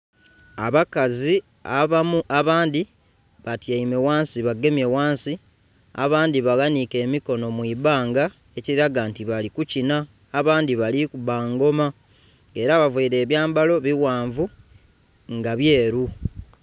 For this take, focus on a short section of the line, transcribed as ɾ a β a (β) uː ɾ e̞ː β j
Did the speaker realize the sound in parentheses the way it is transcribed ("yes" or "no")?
no